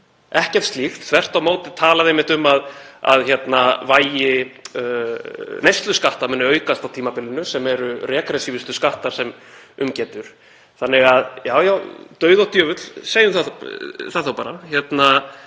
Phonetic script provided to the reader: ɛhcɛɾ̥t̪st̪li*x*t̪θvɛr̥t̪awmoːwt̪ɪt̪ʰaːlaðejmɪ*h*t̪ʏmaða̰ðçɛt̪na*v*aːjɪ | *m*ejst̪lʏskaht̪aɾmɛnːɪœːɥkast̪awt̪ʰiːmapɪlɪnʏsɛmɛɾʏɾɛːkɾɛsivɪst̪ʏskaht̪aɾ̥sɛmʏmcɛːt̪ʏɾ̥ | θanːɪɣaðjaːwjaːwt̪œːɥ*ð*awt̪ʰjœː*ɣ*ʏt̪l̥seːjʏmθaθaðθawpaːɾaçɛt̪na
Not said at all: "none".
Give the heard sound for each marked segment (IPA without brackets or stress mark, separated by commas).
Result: x, h, v, n, ð, v